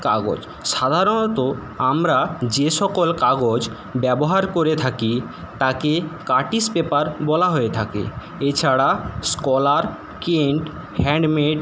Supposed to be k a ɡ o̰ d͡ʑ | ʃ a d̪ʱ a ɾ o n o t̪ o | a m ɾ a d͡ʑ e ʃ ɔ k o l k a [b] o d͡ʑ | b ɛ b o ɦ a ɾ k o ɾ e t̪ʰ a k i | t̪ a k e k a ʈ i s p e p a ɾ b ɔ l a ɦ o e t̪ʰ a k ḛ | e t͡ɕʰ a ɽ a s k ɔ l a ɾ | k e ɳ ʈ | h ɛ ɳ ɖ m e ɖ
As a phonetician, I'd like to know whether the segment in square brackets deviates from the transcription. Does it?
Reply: yes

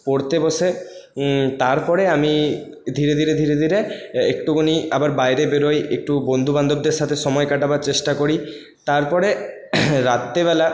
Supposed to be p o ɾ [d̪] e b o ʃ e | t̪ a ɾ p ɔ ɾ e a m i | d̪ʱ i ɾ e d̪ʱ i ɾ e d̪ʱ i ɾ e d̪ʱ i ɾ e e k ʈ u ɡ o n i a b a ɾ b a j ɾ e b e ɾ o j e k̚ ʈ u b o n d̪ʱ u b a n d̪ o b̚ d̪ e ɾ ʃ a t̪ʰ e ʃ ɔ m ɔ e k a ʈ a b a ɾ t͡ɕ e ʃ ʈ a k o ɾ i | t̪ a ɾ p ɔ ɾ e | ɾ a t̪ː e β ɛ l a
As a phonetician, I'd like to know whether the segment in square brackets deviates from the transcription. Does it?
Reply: yes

